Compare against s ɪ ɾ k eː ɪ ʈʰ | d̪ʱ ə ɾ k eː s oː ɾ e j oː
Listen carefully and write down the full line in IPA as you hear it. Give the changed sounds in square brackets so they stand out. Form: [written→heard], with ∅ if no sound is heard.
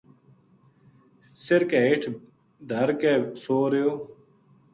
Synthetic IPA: s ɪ ɾ k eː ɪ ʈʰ | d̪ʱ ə ɾ k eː s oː ɾ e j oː